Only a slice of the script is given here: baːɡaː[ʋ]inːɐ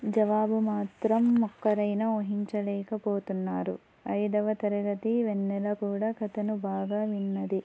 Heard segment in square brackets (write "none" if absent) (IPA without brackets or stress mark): ʋ